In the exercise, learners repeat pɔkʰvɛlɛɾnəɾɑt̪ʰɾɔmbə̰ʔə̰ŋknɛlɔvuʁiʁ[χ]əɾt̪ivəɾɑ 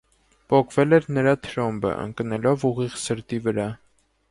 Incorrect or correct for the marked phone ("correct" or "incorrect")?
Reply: incorrect